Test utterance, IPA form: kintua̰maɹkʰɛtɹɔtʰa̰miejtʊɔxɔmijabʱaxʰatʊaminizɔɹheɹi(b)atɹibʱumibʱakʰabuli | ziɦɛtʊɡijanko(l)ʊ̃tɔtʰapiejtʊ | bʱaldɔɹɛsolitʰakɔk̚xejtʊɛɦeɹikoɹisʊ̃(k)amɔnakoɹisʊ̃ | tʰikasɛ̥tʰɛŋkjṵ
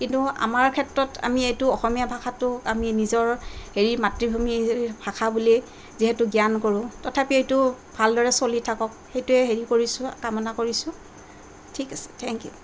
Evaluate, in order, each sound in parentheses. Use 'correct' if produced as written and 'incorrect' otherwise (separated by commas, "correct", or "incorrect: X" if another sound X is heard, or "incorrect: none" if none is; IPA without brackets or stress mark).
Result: incorrect: m, incorrect: ɹ, correct